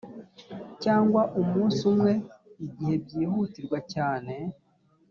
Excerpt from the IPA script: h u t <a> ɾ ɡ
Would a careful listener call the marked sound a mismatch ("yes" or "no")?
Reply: yes